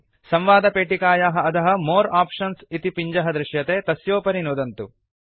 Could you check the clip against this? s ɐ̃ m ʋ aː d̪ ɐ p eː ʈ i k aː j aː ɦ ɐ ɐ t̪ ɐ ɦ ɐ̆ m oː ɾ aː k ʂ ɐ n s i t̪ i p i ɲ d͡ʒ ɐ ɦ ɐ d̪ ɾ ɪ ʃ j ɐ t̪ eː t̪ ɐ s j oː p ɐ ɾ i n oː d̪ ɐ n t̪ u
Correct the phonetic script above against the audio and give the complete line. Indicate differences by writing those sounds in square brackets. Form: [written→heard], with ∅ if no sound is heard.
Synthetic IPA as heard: s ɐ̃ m ʋ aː d̪ ɐ p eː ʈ i k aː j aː ɦ ɐ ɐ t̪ ɐ ɦ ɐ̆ m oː ɾ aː [k→p] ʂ ɐ n s i t̪ i p i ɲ d͡ʒ ɐ ɦ ɐ d̪ ɾ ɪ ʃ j ɐ t̪ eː t̪ ɐ s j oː p ɐ ɾ i n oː d̪ ɐ n t̪ u